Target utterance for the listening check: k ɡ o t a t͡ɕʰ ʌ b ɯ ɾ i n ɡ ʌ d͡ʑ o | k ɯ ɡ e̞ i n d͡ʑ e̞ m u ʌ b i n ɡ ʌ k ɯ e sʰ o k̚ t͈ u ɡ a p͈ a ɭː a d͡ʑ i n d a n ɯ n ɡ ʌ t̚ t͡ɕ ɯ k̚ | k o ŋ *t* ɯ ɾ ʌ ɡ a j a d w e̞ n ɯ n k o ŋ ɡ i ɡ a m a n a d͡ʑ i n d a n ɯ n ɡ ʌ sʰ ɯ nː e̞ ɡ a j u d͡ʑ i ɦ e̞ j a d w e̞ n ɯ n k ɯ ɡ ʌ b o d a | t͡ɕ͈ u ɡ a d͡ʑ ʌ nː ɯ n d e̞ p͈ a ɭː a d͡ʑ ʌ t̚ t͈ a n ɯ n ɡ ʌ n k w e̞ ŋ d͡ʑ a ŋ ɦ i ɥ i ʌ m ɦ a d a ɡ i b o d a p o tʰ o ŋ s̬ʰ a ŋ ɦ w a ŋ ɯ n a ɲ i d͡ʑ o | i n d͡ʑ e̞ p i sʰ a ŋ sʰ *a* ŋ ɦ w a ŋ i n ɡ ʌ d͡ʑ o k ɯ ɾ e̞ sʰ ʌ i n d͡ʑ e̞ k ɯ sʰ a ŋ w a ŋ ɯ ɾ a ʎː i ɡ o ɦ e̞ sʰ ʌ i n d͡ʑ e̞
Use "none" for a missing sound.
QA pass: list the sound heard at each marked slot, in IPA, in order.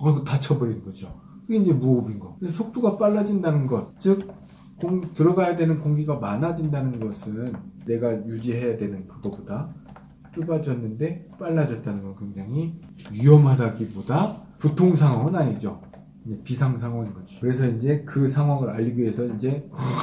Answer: t, a

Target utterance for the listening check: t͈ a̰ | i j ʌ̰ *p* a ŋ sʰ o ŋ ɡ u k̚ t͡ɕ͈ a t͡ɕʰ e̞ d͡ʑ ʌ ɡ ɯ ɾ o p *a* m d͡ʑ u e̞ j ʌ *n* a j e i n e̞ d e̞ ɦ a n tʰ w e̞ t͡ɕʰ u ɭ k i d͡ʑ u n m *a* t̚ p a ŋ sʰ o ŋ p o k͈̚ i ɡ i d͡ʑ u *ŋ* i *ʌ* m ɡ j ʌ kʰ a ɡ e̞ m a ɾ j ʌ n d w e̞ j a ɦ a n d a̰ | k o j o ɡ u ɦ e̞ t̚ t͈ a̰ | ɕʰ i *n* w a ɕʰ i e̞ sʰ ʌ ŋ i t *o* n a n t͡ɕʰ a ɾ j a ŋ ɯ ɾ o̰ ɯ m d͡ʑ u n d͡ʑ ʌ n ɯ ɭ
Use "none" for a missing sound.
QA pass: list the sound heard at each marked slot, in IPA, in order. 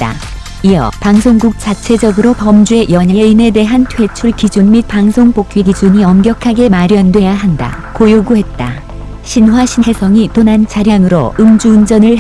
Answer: p, ʌ, ɲ, i, ɲ, ʌ, n, o

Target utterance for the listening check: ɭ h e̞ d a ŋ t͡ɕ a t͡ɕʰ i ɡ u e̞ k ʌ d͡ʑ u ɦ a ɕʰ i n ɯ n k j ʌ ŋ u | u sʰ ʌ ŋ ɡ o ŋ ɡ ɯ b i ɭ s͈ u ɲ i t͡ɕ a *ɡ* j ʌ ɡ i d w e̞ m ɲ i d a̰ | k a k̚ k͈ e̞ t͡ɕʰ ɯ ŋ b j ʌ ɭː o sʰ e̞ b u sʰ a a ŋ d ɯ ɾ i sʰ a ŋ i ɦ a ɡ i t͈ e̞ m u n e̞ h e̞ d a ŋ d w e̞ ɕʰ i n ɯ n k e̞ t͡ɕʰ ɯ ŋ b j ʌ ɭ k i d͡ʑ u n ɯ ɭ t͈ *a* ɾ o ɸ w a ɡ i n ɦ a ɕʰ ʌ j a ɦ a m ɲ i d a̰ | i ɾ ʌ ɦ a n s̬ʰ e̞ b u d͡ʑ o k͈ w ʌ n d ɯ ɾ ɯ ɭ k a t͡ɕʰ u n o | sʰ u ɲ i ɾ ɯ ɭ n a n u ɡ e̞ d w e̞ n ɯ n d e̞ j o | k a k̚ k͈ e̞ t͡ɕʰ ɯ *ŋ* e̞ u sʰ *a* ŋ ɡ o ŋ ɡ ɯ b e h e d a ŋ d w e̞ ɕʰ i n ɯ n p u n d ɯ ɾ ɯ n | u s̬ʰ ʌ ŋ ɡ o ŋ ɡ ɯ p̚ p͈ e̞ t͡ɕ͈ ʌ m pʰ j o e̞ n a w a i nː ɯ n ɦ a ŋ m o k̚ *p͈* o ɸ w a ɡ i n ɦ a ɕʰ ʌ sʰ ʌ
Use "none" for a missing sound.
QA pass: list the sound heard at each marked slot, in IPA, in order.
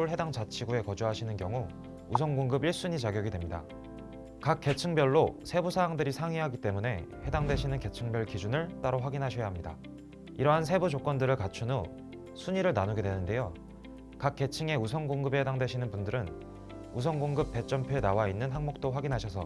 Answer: ɡ, a, ŋ, ʌ, t͈

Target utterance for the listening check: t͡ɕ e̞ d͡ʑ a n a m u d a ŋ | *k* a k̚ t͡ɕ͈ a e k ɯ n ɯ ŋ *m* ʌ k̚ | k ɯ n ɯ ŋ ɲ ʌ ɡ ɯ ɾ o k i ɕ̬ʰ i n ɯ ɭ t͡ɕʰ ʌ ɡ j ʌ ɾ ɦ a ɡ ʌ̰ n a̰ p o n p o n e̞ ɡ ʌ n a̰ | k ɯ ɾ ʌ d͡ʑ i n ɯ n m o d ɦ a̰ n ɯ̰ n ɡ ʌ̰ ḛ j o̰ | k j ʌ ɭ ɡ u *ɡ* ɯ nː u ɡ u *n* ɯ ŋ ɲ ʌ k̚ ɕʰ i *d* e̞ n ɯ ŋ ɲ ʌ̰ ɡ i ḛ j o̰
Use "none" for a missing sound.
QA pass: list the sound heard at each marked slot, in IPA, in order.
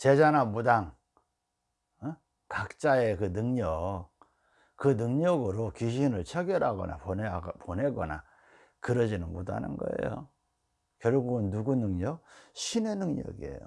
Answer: k, ɲ, ɡ, n, n

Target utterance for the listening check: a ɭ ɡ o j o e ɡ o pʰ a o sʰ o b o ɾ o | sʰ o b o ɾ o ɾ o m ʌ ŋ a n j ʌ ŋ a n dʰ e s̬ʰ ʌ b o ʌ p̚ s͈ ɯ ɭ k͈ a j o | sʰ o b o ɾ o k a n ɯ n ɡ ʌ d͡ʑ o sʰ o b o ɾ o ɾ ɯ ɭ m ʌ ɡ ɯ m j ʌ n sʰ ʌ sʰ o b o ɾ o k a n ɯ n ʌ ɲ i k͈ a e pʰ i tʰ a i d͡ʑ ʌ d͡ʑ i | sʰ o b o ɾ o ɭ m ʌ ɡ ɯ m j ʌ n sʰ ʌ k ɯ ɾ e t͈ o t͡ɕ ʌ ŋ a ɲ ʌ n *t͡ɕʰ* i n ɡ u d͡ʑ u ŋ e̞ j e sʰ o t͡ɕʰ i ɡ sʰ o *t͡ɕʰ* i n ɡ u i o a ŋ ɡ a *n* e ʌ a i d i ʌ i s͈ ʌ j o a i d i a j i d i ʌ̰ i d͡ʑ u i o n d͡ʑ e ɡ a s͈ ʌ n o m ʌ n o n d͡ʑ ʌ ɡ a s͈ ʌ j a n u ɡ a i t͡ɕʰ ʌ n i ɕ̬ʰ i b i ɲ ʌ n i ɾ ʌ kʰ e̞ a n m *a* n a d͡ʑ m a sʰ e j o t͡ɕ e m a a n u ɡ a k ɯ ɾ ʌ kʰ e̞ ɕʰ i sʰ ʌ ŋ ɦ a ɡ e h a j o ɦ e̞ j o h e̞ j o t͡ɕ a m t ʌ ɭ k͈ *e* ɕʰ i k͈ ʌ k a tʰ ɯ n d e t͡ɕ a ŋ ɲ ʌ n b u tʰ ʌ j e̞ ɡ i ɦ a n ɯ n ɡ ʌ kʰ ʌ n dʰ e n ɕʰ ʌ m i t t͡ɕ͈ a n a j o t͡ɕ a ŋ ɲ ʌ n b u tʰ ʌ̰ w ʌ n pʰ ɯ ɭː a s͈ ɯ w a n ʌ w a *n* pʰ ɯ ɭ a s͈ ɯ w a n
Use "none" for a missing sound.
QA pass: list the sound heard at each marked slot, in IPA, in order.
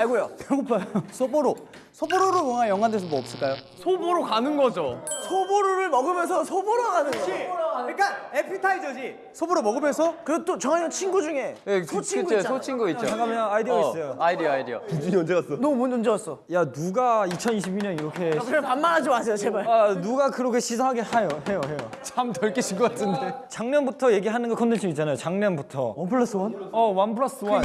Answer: t͡ɕʰ, t͡ɕʰ, m, a, e, n

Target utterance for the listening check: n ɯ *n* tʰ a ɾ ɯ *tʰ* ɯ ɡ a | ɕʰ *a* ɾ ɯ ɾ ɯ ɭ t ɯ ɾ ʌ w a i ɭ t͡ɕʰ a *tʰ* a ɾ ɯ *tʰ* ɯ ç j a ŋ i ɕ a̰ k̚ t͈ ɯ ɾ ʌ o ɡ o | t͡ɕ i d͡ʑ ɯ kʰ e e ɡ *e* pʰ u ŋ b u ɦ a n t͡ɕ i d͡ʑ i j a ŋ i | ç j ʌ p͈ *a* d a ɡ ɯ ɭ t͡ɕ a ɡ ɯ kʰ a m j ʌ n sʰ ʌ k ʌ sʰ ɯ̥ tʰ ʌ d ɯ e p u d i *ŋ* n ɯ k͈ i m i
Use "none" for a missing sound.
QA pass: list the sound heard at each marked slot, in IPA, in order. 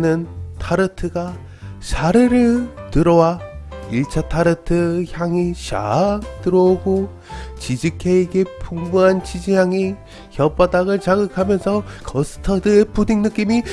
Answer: n, tʰ, a, tʰ, tʰ, e, a, ŋ

